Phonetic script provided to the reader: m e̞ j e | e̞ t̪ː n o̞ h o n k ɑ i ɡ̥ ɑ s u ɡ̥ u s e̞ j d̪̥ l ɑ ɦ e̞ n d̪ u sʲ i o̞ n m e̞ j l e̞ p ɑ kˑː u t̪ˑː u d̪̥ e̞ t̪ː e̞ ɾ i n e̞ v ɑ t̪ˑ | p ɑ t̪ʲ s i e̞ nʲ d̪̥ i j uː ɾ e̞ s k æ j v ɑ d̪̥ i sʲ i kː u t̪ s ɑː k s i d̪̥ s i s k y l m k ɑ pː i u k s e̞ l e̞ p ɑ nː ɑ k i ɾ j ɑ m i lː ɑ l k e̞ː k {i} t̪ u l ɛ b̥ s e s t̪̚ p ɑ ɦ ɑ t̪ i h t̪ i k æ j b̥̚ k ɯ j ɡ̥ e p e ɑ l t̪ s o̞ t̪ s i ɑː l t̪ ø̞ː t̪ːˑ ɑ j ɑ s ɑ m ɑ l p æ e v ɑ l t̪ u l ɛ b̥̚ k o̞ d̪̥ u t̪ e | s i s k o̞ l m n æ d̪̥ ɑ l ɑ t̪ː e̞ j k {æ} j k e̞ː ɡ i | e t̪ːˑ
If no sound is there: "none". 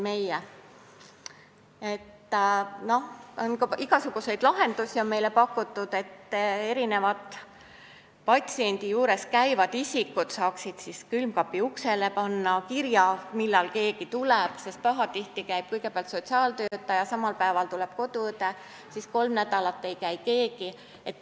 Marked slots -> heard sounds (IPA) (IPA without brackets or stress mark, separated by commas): i, æ